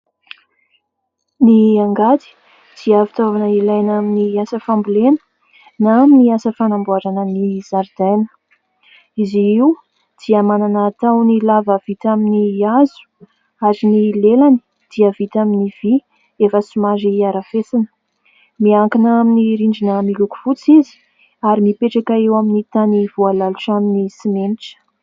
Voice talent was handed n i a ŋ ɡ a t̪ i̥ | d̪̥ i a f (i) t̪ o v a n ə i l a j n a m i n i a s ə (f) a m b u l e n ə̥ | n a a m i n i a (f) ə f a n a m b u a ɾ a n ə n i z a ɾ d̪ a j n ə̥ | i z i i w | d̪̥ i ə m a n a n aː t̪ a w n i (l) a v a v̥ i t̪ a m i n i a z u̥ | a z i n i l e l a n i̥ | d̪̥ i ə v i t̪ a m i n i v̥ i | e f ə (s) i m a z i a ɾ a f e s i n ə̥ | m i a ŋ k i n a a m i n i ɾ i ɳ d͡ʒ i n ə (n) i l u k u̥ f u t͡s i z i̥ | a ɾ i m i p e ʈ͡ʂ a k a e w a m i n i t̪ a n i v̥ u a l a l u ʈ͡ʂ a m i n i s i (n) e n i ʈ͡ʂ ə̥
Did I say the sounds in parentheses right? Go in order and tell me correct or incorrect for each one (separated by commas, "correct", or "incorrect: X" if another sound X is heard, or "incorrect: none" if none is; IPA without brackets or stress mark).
correct, correct, incorrect: s, correct, correct, incorrect: m, incorrect: m